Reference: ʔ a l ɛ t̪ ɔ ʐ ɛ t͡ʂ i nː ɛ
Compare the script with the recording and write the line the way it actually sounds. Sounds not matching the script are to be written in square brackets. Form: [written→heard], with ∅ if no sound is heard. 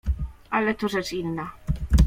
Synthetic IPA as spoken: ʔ a l ɛ t̪ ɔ ʐ ɛ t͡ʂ i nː [ɛ→a]

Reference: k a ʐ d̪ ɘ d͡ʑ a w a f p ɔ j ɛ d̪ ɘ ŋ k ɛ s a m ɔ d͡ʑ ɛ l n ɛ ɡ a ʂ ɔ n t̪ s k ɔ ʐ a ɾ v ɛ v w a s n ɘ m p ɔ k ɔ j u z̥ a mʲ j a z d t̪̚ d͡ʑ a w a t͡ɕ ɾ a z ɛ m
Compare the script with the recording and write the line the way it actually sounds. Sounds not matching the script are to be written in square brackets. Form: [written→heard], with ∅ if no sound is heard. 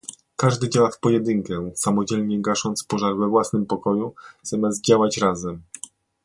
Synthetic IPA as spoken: k a ʐ d̪ ɘ d͡ʑ a w a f p ɔ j ɛ d̪ ɘ ŋ k ɛ s a m ɔ d͡ʑ ɛ l [n→ɲ] ɛ ɡ a ʂ ɔ n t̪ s [k→p] ɔ ʐ a ɾ v ɛ v w a s n ɘ m p ɔ k ɔ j u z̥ a mʲ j a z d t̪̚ d͡ʑ a w a t͡ɕ ɾ a z ɛ m

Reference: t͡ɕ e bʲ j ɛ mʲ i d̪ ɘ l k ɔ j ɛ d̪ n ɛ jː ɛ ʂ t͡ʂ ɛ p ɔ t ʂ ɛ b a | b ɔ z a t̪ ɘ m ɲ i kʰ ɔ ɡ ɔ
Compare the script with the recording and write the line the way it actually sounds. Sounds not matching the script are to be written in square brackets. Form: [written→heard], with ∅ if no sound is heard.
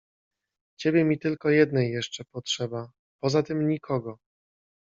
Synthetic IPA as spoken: t͡ɕ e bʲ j ɛ mʲ i [d̪→t̪] ɘ l k ɔ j ɛ d̪ n ɛ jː ɛ ʂ t͡ʂ ɛ p ɔ t ʂ ɛ b a | [b→p] ɔ z a t̪ ɘ m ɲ i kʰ ɔ ɡ ɔ

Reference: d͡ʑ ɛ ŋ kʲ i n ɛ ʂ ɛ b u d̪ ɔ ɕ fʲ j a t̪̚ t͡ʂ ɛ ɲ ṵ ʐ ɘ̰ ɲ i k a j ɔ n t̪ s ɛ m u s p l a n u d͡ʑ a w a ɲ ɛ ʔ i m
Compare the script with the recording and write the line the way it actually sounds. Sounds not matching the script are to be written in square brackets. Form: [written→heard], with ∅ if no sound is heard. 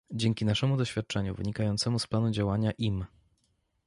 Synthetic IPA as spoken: d͡ʑ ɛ ŋ kʲ i n [ɛ→a] ʂ ɛ [b→m] u d̪ ɔ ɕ fʲ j a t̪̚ t͡ʂ ɛ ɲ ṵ [ʐ→v] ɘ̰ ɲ i k a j ɔ n t̪ s ɛ m u s p l a n u d͡ʑ a w a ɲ [ɛ→a] ʔ i m

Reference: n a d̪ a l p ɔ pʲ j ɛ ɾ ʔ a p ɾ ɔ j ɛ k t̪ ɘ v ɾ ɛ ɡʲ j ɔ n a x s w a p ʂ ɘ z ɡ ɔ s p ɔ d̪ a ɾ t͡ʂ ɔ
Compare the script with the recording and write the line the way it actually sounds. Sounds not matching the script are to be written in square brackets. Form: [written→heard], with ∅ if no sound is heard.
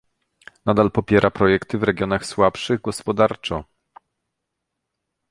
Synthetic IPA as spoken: n a d̪ a l p ɔ pʲ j ɛ ɾ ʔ a p ɾ ɔ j ɛ k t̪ ɘ v ɾ ɛ ɡʲ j ɔ n a x s w a p ʂ ɘ [z→ɣ] ɡ ɔ s p ɔ d̪ a ɾ t͡ʂ ɔ

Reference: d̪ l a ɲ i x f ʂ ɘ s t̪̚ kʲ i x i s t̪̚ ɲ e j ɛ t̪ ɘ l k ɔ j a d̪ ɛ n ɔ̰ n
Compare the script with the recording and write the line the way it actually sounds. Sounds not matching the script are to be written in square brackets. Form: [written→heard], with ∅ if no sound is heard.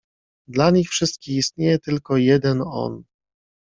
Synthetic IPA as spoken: d̪ l a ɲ i x f ʂ ɘ s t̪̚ kʲ i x i s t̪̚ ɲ e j ɛ t̪ ɘ l k ɔ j [a→ɛ] d̪ ɛ n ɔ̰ n

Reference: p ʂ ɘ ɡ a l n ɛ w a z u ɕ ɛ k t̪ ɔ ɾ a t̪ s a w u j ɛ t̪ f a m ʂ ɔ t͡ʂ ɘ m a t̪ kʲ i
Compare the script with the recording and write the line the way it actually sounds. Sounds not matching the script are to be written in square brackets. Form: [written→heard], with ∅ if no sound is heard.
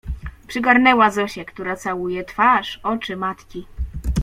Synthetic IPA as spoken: p ʂ ɘ ɡ a [l→ɾ] n ɛ w a z [u→ɔ] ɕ ɛ k t̪ [ɔ→u] ɾ a t̪ s a w u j ɛ t̪ f a [m→∅] ʂ ɔ t͡ʂ ɘ m a t̪ kʲ i

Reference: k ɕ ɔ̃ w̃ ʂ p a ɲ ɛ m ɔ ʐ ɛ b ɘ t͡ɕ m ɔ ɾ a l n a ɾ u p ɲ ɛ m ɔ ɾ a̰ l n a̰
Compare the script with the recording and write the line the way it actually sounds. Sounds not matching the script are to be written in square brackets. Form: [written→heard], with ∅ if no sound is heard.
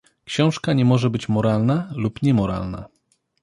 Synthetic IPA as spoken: k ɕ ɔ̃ w̃ ʂ [p→k] a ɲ ɛ m ɔ ʐ ɛ b ɘ t͡ɕ m ɔ ɾ a l n a [ɾ→l] u p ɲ ɛ m ɔ ɾ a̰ l n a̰

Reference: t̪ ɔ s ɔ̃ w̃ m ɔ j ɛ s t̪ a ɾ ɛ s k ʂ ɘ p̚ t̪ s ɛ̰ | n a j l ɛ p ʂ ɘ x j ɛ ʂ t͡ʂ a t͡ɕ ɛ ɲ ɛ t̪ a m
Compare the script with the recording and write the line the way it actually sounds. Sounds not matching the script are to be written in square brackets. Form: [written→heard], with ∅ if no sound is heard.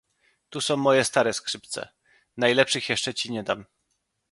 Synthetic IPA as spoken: t̪ [ɔ→u] s ɔ̃ w̃ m ɔ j ɛ s t̪ a ɾ ɛ s k ʂ ɘ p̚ t̪ s ɛ̰ | n a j l ɛ p ʂ ɘ x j ɛ ʂ t͡ʂ [a→ɛ] t͡ɕ [ɛ→i] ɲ ɛ [t̪→d̪] a m

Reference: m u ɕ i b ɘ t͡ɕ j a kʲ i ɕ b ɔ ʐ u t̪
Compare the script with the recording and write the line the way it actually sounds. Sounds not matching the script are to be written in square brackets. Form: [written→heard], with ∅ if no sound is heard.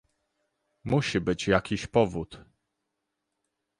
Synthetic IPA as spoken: m u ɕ i b ɘ t͡ɕ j a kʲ i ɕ [b→p] ɔ [ʐ→v] u t̪

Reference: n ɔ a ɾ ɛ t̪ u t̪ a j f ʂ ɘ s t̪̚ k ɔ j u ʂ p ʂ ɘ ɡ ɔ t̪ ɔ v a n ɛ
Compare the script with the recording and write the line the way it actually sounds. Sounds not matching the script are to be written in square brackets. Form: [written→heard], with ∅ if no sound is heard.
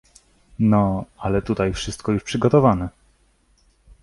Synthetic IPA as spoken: n ɔ a [ɾ→l] ɛ t̪ u t̪ a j f ʂ ɘ s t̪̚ k ɔ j u ʂ p ʂ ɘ ɡ ɔ t̪ ɔ v a n ɛ

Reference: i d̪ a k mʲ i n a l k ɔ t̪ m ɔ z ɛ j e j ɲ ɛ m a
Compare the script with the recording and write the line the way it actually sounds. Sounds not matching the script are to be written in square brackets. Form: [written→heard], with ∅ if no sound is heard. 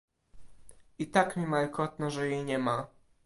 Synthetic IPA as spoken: i [d̪→t̪] a k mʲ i [n→m] a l k ɔ t̪ [m→n] ɔ [z→ʐ] ɛ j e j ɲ ɛ m a

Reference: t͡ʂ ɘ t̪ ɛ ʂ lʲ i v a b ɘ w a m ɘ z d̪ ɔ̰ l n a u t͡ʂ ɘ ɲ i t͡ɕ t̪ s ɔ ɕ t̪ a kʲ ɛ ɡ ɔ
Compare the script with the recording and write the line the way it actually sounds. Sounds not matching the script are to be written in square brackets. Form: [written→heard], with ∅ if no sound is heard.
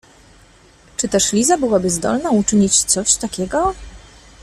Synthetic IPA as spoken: t͡ʂ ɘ t̪ ɛ ʂ lʲ i [v→z] a b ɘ w a [m→b] ɘ z d̪ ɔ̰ l n a u t͡ʂ ɘ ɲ i t͡ɕ t̪ s ɔ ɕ t̪ a kʲ ɛ ɡ ɔ

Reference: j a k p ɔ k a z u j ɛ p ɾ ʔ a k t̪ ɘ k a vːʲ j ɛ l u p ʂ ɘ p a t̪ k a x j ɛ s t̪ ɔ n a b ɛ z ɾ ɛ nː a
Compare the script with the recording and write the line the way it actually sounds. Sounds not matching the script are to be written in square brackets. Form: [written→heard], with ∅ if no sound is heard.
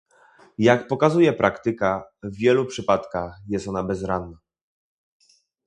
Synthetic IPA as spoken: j a k p ɔ k a z u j ɛ p ɾ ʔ a k t̪ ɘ k a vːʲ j ɛ l u p ʂ ɘ p a t̪ k a x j ɛ s t̪ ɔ n a b ɛ z ɾ [ɛ→a] nː a

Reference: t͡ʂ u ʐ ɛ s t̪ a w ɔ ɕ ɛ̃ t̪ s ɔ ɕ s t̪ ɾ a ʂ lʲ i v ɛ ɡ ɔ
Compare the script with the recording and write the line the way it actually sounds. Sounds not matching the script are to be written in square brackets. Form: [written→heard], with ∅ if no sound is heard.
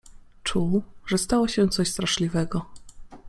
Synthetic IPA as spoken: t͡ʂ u ʐ ɛ s t̪ a w ɔ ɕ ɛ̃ t̪ s ɔ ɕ s t̪ ɾ a ʂ lʲ i v ɛ ɡ ɔ

